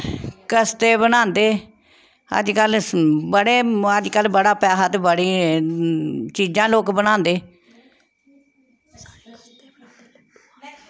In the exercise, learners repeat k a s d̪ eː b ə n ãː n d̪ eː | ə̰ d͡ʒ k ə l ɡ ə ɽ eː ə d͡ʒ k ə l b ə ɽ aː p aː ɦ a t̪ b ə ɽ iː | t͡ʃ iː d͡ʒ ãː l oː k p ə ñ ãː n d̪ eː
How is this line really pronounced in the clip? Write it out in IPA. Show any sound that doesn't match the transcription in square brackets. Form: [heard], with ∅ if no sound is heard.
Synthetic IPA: k [ə] s [t̪] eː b ə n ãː n d̪ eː | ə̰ d͡ʒ k ə l [b] ə ɽ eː ə d͡ʒ k ə l b ə ɽ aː p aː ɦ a t̪ b ə ɽ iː | t͡ʃ iː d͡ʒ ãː l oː k [b] ə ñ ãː n d̪ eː